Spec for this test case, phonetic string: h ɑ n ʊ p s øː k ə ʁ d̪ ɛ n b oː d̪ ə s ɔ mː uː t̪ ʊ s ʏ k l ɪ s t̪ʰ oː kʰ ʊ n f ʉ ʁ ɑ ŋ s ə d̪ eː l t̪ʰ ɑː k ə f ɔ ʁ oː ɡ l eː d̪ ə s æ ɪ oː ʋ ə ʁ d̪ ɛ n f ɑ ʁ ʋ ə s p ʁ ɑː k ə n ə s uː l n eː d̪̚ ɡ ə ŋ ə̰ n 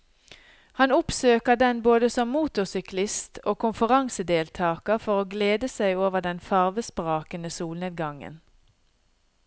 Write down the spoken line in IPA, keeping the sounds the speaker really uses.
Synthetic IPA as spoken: h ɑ n ʊ p s øː k ə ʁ d̪ ɛ n b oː d̪ ə s ɔ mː uː t̪ ʊ s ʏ k l ɪ s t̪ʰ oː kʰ ʊ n f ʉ ʁ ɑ ŋ s ə d̪ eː l t̪ʰ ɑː k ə f ɔ ʁ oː ɡ l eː d̪ ə s æ ɪ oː ʋ ə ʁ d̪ ɛ n f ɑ ʁ ʋ ə s p ʁ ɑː k ə n ə s uː l n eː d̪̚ ɡ ɑ ŋ ə̰ n